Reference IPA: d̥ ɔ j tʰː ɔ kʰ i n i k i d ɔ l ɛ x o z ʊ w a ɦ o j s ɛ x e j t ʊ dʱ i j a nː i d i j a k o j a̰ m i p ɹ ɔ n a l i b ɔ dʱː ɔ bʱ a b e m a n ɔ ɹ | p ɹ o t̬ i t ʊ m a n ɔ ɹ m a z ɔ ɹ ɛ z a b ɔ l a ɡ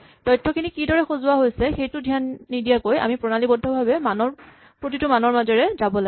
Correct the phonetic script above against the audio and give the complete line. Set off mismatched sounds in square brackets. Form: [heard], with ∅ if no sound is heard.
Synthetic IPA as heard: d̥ ɔ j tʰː ɔ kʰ i n i k i d ɔ [ɹ] ɛ x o z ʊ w a ɦ o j s ɛ x e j t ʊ dʱ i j a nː i d i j a k o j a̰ m i p ɹ ɔ n a l i b ɔ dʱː ɔ bʱ a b [ɛ] m a n ɔ ɹ | p ɹ o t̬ i t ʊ m a n ɔ ɹ m a z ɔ ɹ ɛ z a b ɔ l a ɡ